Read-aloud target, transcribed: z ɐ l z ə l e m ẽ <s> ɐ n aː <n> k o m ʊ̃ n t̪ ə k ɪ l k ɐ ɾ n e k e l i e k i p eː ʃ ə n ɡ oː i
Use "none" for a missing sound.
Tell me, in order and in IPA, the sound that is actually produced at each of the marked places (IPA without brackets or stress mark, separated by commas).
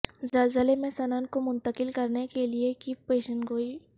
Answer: s, n